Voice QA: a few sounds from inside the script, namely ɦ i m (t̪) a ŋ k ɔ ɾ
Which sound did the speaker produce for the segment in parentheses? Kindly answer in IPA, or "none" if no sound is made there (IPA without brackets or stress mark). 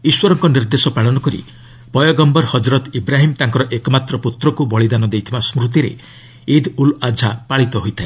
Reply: t̪